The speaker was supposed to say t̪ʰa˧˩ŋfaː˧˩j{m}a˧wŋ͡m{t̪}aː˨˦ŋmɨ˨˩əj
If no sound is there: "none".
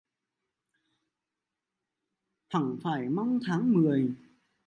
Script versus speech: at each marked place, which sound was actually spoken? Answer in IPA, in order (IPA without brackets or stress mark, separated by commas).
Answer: m, t̪ʰ